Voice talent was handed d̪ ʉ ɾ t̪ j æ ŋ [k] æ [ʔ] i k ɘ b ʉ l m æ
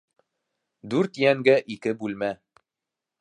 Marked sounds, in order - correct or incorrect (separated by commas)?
incorrect, correct